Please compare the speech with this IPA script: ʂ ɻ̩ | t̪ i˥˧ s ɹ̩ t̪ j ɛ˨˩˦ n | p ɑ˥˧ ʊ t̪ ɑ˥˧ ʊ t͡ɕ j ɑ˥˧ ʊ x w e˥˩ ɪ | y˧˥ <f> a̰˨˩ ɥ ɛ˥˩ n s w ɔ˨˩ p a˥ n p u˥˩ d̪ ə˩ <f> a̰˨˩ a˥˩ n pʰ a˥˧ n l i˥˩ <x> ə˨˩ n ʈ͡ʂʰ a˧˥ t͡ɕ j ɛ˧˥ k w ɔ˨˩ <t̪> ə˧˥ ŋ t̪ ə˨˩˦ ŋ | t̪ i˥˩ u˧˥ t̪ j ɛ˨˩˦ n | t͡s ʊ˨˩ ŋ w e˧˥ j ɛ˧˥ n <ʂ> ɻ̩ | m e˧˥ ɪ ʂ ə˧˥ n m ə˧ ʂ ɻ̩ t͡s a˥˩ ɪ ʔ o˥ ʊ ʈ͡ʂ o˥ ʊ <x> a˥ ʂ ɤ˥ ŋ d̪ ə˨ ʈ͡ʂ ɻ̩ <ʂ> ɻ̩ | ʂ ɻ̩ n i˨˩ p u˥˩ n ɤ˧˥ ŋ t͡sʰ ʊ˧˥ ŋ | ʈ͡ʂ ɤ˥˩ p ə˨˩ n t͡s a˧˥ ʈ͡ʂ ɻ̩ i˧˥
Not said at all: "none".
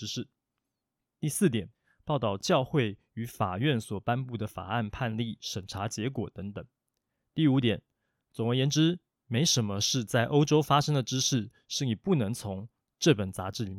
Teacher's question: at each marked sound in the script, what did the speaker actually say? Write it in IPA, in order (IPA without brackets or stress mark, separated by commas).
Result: f, f, ʂ, t̪, ʈ͡ʂ, f, ʂ